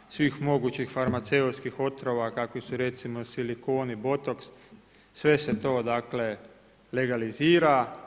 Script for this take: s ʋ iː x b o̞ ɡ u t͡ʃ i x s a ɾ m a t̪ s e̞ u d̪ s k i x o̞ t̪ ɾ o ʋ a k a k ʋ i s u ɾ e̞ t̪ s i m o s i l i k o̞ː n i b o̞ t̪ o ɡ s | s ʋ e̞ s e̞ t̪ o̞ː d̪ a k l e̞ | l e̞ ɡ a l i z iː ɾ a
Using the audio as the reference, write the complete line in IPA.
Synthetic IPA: s ʋ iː x m o̞ ɡ u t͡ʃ i x f a ɾ m a t̪ s e̞ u t̪ s k i x o̞ t̪ ɾ o ʋ a k a k ʋ i s u ɾ e̞ t̪ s i m o s i l i k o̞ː n i b o̞ t̪ o k s | s ʋ e̞ s e̞ t̪ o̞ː d̪ a k l e̞ | l e̞ ɡ a l i z iː ɾ a

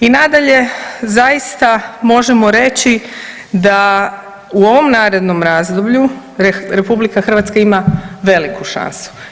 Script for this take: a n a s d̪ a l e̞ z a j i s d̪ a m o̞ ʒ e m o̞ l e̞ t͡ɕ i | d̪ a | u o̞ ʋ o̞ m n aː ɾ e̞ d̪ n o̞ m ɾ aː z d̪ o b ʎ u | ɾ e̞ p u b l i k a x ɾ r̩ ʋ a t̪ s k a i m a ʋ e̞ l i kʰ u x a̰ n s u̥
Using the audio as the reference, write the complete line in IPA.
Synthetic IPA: i n a d̪ a ʎ e̞ z a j i s t̪ a m o̞ ʒ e m o̞ ɾ e̞ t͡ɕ i | d̪ a | u o̞ ʋ o̞ m n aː ɾ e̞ d̪ n o̞ m ɾ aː z d̪ o b ʎ u | ɾ e̞ p u b l i k a x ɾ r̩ ʋ a t̪ s k a i m a ʋ e̞ l i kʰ u ʃ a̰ n s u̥

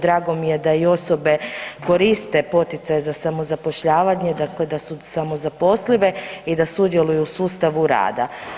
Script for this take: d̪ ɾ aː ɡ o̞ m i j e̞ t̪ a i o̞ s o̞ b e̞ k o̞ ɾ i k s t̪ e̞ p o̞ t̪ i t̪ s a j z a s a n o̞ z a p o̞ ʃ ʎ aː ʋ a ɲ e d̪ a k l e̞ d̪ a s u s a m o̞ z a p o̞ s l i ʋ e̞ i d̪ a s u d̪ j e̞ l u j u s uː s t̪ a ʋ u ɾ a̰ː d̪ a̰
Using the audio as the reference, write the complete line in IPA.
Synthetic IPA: d̪ ɾ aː ɡ o̞ m i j e̞ d̪ a i o̞ s o̞ b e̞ k o̞ ɾ i s t̪ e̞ p o̞ t̪ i t̪ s a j z a s a m o̞ z a p o̞ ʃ ʎ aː ʋ a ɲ e d̪ a k l e̞ d̪ a s u s a m o̞ z a p o̞ s l i ʋ e̞ i d̪ a s u d̪ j e̞ l u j u s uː s t̪ a ʋ u ɾ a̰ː d̪ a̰

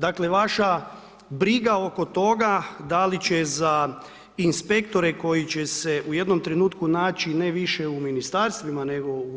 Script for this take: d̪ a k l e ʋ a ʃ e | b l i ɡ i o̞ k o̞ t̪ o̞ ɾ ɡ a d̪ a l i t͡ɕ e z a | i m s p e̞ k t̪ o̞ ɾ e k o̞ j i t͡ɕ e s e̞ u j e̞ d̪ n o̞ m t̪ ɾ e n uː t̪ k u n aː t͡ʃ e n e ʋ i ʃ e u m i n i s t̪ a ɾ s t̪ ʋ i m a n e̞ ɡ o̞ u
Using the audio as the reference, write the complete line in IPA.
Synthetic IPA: d̪ a k l e ʋ a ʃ a | b ɾ i ɡ a o̞ k o̞ t̪ o̞ ɡ a d̪ a l i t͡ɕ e z a | i n s p e̞ k t̪ o̞ ɾ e k o̞ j i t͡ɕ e s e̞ u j e̞ d̪ n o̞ m t̪ ɾ e n uː t̪ k u n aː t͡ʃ i n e ʋ i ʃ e u m i n i s t̪ a ɾ s t̪ ʋ i m a n e̞ ɡ o̞ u

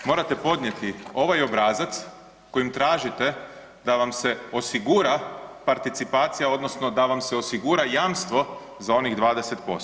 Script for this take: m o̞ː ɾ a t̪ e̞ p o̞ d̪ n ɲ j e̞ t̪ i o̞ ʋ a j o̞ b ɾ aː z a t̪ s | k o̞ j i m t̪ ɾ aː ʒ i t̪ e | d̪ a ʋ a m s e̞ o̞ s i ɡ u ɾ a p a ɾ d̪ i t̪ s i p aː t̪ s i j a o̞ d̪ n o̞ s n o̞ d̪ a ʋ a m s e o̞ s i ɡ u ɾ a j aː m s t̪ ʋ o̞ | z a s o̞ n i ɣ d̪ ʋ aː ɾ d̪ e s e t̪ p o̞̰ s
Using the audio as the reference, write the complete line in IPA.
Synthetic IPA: m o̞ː ɾ a t̪ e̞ p o̞ d̪ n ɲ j e̞ t̪ i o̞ ʋ a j o̞ b ɾ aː z a t̪ s | k o̞ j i m t̪ ɾ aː ʒ i t̪ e | d̪ a ʋ a m s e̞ o̞ s i ɡ u ɾ a p a ɾ t̪ i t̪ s i p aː t̪ s i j a o̞ d̪ n o̞ s n o̞ d̪ a ʋ a m s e o̞ s i ɡ u ɾ a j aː m s t̪ ʋ o̞ | z a o̞ n i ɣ d̪ ʋ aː d̪ e s e t̪ p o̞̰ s

